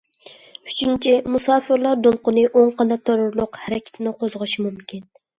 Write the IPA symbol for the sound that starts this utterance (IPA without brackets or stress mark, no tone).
y